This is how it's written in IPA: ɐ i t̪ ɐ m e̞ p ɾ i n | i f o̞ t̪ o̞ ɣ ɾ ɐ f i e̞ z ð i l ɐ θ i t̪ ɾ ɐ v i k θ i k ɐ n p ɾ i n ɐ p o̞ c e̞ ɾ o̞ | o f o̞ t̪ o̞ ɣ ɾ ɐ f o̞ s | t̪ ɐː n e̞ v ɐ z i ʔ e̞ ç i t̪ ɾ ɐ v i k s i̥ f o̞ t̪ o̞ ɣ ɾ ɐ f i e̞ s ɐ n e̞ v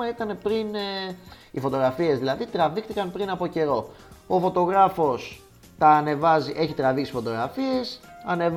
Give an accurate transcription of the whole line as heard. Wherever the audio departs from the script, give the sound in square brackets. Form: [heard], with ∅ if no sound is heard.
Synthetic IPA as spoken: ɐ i t̪ ɐ [n] e̞ p ɾ i n | i f o̞ t̪ o̞ ɣ ɾ ɐ f i e̞ z ð i l ɐ [ð] i t̪ ɾ ɐ v i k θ i k ɐ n p ɾ i n ɐ p o̞ c e̞ ɾ o̞ | o f o̞ t̪ o̞ ɣ ɾ ɐ f o̞ s | t̪ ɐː n e̞ v ɐ z i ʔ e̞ ç i t̪ ɾ ɐ v i k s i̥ f o̞ t̪ o̞ ɣ ɾ ɐ f i e̞ s ɐ n e̞ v